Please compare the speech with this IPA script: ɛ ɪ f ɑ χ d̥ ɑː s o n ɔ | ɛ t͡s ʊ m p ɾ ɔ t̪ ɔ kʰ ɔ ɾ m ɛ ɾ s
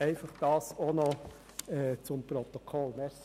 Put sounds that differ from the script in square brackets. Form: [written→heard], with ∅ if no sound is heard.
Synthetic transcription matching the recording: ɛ ɪ f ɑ χ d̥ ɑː s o n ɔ | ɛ t͡s ʊ m p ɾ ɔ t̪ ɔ kʰ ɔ [ɾ→l] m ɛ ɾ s